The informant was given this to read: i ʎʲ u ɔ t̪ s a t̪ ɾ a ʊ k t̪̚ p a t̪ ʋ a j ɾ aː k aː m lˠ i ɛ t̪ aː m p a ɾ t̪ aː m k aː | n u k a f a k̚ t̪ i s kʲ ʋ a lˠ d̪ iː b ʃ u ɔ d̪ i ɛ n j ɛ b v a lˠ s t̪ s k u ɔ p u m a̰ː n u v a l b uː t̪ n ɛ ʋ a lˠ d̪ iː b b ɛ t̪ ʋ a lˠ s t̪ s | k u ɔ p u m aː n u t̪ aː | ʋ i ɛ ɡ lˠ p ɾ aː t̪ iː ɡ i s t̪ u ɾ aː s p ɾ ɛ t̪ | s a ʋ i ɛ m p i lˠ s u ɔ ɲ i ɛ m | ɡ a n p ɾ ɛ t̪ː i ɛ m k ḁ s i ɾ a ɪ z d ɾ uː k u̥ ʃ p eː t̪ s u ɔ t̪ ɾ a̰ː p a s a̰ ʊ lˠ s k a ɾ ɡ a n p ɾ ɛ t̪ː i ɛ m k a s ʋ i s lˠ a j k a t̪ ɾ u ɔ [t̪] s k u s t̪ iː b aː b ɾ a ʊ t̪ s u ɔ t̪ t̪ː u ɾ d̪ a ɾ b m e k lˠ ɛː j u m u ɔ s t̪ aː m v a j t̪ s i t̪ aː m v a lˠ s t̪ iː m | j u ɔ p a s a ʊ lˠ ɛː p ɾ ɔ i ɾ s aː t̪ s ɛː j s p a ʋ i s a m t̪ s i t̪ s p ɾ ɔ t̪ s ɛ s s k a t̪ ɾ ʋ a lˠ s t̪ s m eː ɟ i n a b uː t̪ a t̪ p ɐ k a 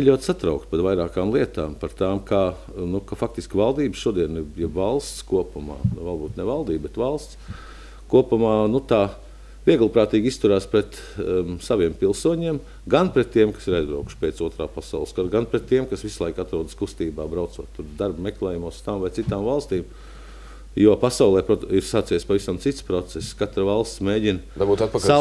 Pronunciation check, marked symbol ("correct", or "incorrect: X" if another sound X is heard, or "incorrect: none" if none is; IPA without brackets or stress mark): incorrect: d̪